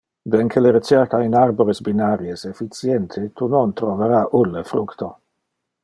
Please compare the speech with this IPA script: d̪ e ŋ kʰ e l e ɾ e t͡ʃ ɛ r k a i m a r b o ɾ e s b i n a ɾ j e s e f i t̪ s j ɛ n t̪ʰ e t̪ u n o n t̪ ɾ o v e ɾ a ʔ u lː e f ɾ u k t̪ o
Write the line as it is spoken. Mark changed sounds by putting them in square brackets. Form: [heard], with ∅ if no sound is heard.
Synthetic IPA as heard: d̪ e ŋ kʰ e l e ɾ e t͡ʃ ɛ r k a i [n] a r b o ɾ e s b i n a ɾ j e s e f i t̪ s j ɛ n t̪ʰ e t̪ u n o n t̪ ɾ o v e ɾ a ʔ u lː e f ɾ u k t̪ o